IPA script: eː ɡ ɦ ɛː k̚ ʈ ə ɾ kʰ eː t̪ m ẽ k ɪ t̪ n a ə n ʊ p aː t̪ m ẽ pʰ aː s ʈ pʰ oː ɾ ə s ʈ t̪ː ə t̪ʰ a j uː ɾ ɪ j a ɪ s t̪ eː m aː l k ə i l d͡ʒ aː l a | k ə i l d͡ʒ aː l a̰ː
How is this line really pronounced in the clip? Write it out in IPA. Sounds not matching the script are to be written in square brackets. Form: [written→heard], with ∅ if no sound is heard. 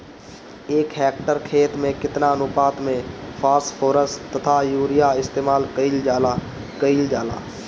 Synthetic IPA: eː [ɡ→k] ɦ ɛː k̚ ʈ ə ɾ kʰ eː t̪ m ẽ k ɪ t̪ n a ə n ʊ p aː t̪ m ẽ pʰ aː s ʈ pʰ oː ɾ ə s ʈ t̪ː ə t̪ʰ a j uː ɾ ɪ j a ɪ s t̪ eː m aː l k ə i l d͡ʒ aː l a | k ə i l d͡ʒ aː l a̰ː